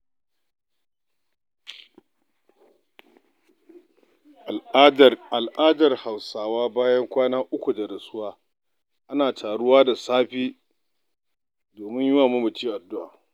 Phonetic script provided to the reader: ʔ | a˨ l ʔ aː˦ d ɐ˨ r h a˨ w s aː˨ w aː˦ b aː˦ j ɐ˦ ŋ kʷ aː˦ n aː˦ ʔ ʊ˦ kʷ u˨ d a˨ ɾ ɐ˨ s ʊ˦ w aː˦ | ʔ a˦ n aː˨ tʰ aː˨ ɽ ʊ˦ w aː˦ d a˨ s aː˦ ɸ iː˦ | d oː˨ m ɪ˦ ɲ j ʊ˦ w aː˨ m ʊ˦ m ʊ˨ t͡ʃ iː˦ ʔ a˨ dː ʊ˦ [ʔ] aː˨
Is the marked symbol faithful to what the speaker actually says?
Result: yes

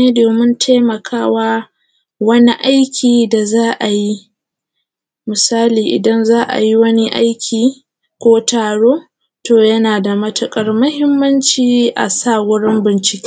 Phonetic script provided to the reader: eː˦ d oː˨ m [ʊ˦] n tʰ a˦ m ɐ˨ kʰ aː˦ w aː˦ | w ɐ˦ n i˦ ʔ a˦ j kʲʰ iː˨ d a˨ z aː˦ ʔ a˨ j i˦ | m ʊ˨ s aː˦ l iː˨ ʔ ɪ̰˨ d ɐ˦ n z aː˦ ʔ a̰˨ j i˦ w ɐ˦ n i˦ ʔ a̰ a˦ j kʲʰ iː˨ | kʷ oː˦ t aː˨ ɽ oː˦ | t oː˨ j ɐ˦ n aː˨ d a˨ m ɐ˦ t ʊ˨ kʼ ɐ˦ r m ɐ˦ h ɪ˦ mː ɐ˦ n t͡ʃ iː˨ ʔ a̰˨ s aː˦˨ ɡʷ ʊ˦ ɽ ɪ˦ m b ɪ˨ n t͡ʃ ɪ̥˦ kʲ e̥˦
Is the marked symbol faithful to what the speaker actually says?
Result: yes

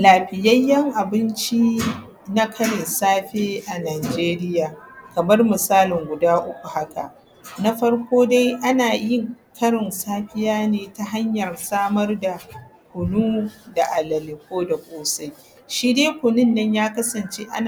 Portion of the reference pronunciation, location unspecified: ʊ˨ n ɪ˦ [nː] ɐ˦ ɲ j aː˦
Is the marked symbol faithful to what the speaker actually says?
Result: yes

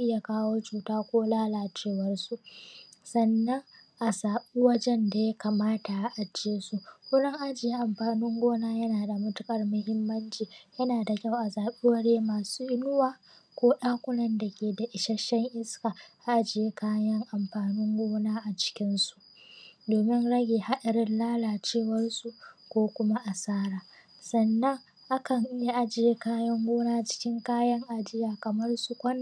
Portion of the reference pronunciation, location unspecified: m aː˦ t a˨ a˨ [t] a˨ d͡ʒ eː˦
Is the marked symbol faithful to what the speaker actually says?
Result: no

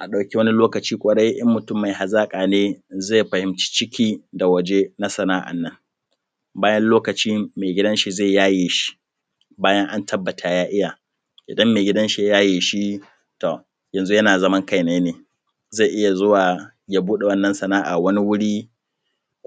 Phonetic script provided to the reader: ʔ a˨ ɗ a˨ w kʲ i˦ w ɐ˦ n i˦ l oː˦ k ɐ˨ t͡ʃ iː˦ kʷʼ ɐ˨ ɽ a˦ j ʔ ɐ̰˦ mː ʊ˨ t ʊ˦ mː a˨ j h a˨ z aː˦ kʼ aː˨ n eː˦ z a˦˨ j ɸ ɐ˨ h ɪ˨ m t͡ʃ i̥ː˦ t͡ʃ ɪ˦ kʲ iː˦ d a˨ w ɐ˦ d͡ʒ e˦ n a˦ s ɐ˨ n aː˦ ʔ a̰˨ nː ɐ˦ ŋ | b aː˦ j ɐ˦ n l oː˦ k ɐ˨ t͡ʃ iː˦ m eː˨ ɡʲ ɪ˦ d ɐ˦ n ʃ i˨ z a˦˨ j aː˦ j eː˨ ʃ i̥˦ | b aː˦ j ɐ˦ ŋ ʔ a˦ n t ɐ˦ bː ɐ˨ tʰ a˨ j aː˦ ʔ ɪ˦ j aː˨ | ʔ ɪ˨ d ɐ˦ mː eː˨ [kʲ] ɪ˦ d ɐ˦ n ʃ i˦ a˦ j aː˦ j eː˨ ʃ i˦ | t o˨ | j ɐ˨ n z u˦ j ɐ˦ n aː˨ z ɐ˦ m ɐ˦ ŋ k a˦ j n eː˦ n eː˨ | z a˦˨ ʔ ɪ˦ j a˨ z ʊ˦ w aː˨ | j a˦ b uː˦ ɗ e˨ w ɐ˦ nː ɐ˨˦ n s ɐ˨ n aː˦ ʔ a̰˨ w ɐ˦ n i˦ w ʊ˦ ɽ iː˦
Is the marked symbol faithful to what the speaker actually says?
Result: no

